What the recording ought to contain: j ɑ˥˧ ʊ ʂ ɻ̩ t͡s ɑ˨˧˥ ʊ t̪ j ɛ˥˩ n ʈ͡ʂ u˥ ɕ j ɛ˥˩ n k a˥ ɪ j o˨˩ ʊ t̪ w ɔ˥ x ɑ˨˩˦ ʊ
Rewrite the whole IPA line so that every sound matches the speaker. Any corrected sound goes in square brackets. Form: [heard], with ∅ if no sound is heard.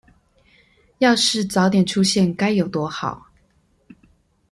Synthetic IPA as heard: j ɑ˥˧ ʊ ʂ ɻ̩ t͡s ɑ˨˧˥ ʊ t̪ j [ɛ˨˩] n [ʈ͡ʂʰ] u˥ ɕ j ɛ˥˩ n k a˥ ɪ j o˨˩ ʊ t̪ w ɔ˥ x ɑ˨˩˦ ʊ